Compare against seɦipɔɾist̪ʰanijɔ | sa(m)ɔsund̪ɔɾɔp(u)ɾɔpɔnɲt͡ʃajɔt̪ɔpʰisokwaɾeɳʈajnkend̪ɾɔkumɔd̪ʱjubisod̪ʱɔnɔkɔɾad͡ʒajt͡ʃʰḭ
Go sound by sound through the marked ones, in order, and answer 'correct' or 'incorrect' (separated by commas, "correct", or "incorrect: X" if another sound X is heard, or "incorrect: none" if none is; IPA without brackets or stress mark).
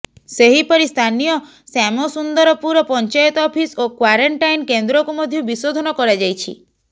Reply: correct, correct